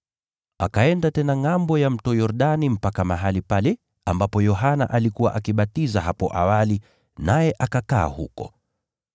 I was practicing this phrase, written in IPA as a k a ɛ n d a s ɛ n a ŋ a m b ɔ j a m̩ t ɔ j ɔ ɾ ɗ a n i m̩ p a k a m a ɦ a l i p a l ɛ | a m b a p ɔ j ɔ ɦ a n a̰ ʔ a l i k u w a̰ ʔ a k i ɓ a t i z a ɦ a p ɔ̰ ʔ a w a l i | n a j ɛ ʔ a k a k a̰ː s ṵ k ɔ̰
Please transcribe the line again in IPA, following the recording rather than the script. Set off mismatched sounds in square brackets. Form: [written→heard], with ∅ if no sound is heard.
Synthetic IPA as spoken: a k a ɛ n d a [s→t] ɛ n a ŋ a m b ɔ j a m̩ t ɔ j ɔ ɾ ɗ a n i m̩ p a k a m a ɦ a l i p a l ɛ | a m b a p ɔ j ɔ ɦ a n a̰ ʔ a l i k u w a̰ ʔ a k i ɓ a t i z a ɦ a p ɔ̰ ʔ a w a l i | n a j ɛ ʔ a k a k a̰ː [s→h] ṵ k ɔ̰